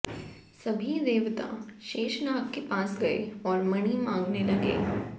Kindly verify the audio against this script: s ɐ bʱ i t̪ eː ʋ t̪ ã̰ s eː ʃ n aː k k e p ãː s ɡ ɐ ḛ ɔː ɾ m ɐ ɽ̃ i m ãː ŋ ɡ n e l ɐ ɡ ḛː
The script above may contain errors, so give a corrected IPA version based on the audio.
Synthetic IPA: s ɐ bʱ i d̪ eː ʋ t̪ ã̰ ʃ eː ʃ n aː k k e p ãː s ɡ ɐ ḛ ɔː ɾ m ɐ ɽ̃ i m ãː ŋ ɡ n e l ɐ ɡ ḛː